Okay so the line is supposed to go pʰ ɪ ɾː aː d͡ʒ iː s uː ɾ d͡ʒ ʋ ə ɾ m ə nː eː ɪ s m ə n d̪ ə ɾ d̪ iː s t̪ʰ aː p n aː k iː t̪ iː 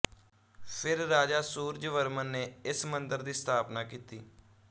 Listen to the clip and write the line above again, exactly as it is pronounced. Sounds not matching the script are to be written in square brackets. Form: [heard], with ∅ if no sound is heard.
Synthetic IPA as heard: pʰ ɪ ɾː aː d͡ʒ [aː] s uː ɾ d͡ʒ ʋ ə ɾ m ə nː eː ɪ s m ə n d̪ ə ɾ d̪ iː s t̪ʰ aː p n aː k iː t̪ iː